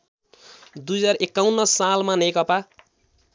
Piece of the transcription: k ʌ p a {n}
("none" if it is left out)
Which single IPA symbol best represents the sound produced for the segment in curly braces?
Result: none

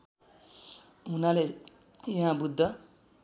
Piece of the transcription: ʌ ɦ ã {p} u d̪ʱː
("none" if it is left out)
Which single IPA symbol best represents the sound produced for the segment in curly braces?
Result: b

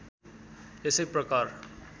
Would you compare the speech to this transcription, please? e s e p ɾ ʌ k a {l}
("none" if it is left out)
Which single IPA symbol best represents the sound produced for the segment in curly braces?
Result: ɾ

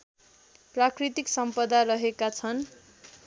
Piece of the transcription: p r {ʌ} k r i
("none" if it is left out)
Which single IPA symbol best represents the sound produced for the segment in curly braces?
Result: a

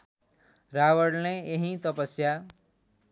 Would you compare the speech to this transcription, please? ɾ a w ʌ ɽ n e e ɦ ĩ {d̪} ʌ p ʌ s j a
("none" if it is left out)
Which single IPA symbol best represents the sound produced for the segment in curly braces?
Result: t̪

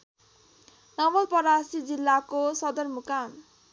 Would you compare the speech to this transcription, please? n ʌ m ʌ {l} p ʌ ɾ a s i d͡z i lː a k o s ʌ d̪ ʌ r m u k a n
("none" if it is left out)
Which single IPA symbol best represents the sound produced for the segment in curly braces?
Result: l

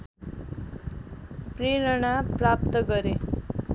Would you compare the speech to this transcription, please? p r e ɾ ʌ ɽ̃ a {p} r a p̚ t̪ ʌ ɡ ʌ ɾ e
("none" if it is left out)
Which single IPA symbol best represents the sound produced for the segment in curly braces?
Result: p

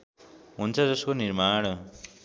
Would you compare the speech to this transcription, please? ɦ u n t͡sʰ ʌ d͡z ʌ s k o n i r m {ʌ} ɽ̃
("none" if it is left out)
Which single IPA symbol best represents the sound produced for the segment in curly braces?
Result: a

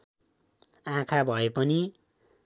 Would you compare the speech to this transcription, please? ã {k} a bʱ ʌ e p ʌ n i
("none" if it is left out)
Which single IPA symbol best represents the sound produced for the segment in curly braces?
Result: kʰ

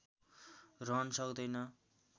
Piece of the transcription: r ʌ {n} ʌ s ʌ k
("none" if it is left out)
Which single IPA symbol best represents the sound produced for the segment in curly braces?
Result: n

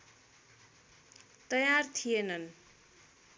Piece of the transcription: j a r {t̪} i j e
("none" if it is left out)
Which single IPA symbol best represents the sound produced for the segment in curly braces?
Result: t̪ʰ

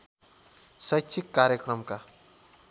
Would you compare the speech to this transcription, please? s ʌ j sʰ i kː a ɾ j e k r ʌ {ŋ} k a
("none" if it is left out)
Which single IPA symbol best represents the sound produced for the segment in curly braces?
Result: m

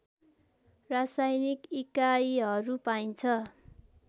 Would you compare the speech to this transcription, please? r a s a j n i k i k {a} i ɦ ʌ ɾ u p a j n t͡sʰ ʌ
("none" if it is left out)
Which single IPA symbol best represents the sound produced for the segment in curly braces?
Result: a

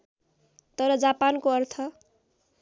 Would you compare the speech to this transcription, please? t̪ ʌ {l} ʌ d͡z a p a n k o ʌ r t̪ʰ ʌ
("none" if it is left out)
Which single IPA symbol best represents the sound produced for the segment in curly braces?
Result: ɾ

